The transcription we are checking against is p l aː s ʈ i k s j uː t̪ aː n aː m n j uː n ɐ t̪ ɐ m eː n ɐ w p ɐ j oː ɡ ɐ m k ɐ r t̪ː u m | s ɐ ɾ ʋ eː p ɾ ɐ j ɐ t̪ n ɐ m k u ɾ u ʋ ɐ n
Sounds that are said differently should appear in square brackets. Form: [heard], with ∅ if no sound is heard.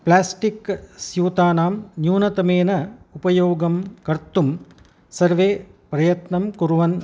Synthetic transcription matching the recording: p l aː s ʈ i k s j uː t̪ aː n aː m n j uː n ɐ t̪ ɐ m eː n ɐ [u] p ɐ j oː ɡ ɐ m k ɐ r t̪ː u m | s ɐ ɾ ʋ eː p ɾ ɐ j ɐ t̪ n ɐ m k u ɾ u ʋ ɐ n

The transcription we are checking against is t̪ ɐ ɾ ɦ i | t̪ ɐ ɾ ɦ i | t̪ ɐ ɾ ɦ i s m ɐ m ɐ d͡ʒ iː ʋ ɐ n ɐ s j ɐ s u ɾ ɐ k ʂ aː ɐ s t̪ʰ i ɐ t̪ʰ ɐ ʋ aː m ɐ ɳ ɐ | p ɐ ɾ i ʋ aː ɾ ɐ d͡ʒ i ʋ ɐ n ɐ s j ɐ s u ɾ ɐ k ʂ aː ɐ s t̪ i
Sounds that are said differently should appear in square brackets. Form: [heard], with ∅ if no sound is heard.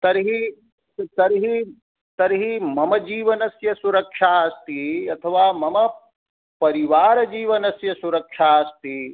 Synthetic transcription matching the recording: t̪ ɐ ɾ ɦ i | t̪ ɐ ɾ ɦ i | t̪ ɐ ɾ ɦ i [∅] m ɐ m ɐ d͡ʒ iː ʋ ɐ n ɐ s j ɐ s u ɾ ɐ k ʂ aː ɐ s [t̪] i ɐ t̪ʰ ɐ ʋ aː m ɐ [m] ɐ | p ɐ ɾ i ʋ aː ɾ ɐ d͡ʒ [iː] ʋ ɐ n ɐ s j ɐ s u ɾ ɐ k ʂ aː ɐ s t̪ i

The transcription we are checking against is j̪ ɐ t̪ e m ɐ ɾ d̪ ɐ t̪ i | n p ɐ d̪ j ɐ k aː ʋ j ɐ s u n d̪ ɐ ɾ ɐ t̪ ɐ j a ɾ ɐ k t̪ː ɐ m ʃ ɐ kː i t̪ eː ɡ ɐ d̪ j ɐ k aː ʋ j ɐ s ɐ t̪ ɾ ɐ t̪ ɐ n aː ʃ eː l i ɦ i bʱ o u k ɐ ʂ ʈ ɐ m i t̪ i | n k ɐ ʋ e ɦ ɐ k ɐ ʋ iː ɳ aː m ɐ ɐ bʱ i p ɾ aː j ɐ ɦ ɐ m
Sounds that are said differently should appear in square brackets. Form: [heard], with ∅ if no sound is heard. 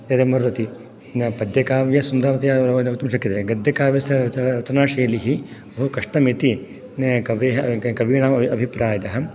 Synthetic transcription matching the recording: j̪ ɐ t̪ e m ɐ ɾ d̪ ɐ t̪ i | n p ɐ d̪ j ɐ k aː ʋ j ɐ s u n d̪ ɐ ɾ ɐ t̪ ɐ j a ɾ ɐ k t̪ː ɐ m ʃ ɐ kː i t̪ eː ɡ ɐ d̪ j ɐ k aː ʋ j ɐ s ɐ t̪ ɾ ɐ t̪ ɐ n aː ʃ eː l i ɦ i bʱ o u k ɐ ʂ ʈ ɐ m i t̪ i | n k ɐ ʋ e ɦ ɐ k ɐ ʋ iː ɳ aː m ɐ ɐ bʱ i p ɾ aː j ɐ ɦ ɐ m

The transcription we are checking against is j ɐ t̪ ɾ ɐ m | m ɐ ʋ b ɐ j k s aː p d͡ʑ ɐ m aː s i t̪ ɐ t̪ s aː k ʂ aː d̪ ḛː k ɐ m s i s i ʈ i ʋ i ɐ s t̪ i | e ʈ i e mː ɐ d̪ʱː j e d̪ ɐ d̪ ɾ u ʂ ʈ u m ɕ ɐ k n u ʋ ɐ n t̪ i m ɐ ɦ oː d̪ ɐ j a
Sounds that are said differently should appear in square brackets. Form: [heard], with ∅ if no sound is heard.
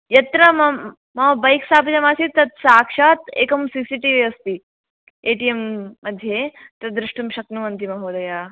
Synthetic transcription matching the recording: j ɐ t̪ ɾ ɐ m | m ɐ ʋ b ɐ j k s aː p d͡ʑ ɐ m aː s i t̪ ɐ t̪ s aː k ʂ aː [t̪] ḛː k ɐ m s i s i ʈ i ʋ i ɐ s t̪ i | e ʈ i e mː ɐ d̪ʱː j e [t̪] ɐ d̪ ɾ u ʂ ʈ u m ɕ ɐ k n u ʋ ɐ n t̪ i m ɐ ɦ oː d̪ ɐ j a

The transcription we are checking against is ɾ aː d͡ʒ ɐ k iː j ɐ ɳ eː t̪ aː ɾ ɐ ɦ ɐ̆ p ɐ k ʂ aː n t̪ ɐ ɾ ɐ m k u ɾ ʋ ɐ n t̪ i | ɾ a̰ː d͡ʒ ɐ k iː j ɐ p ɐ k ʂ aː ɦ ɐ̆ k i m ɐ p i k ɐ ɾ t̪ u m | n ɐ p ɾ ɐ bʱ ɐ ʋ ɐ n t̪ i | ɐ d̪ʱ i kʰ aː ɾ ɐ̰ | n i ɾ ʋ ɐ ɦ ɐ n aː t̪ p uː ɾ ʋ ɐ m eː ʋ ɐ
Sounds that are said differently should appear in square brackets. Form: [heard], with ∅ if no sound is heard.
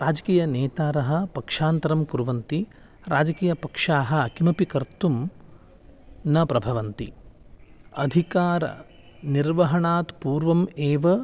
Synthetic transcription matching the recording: ɾ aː d͡ʒ ɐ k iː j ɐ [n] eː t̪ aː ɾ ɐ ɦ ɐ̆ p ɐ k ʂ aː n t̪ ɐ ɾ ɐ m k u ɾ ʋ ɐ n t̪ i | ɾ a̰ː d͡ʒ ɐ k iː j ɐ p ɐ k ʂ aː ɦ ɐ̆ k i m ɐ p i k ɐ ɾ t̪ u m | n ɐ p ɾ ɐ bʱ ɐ ʋ ɐ n t̪ i | ɐ d̪ʱ i [k] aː ɾ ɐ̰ | n i ɾ ʋ ɐ ɦ ɐ [ɳ] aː t̪ p uː ɾ ʋ ɐ m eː ʋ ɐ

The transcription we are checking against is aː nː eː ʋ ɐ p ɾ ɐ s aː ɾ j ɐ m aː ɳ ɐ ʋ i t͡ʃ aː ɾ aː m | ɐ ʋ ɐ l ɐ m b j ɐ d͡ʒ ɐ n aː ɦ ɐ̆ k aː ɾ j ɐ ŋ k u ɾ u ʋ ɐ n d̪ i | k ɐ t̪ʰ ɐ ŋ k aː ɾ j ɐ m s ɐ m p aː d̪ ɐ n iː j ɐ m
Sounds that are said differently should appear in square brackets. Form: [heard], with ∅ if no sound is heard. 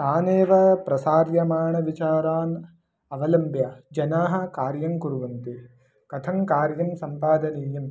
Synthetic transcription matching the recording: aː [n] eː ʋ ɐ p ɾ ɐ s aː ɾ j ɐ m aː ɳ ɐ ʋ i t͡ʃ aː ɾ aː [n] | ɐ ʋ ɐ l ɐ m b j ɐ d͡ʒ ɐ n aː ɦ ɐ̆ k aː ɾ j ɐ ŋ k u ɾ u ʋ ɐ n [t̪] i | k ɐ t̪ʰ ɐ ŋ k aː ɾ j ɐ m s ɐ m p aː d̪ ɐ n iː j ɐ m

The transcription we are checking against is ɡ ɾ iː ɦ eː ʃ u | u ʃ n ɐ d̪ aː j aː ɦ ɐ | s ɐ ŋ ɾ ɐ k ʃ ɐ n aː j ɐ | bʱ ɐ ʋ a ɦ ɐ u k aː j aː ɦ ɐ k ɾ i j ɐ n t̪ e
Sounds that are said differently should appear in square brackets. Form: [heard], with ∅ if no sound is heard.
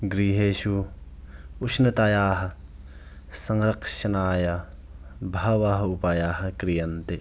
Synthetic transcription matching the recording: ɡ ɾ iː ɦ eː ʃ u | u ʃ n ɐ [t̪] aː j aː ɦ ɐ | s ɐ ŋ ɾ ɐ k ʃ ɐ n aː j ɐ | bʱ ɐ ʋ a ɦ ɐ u [p] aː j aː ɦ ɐ k ɾ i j ɐ n t̪ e

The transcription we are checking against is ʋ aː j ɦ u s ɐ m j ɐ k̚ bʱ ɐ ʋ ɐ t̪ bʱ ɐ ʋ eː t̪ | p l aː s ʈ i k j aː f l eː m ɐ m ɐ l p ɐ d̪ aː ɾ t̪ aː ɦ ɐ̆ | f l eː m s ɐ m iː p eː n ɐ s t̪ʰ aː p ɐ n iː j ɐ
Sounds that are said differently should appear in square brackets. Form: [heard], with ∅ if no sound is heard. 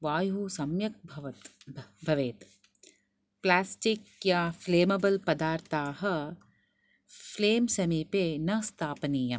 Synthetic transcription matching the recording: ʋ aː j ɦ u s ɐ m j ɐ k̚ bʱ ɐ ʋ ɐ t̪ bʱ ɐ ʋ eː t̪ | p l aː s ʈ i k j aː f l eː m ɐ [b] ɐ l p ɐ d̪ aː ɾ t̪ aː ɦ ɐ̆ | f l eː m s ɐ m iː p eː n ɐ s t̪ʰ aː p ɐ n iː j ɐ

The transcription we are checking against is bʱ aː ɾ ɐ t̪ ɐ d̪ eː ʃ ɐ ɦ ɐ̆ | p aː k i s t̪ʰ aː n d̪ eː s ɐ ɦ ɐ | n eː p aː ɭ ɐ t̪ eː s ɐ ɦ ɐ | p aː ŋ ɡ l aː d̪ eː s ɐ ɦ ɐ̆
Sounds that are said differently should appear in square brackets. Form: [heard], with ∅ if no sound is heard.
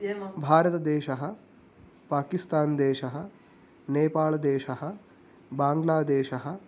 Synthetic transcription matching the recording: bʱ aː ɾ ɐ t̪ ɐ d̪ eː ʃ ɐ ɦ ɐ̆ | p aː k i s [t̪] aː n d̪ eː [ʃ] ɐ ɦ ɐ | n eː p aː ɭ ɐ [d̪] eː [ʃ] ɐ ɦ ɐ | [b] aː ŋ ɡ l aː d̪ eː [ʃ] ɐ ɦ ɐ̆

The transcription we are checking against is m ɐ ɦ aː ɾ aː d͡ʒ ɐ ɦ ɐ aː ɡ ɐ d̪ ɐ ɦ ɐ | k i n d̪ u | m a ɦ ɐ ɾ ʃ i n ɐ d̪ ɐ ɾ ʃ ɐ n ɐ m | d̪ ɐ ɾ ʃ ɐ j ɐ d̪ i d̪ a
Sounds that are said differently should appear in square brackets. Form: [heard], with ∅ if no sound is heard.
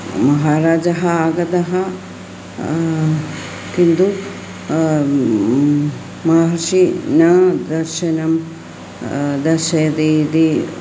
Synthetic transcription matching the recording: m ɐ ɦ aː ɾ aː d͡ʒ ɐ ɦ ɐ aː ɡ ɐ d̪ ɐ ɦ ɐ | k i n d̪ u | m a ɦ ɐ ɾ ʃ i n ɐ d̪ ɐ ɾ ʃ ɐ n ɐ m | d̪ ɐ ɾ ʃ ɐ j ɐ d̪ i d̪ [i]

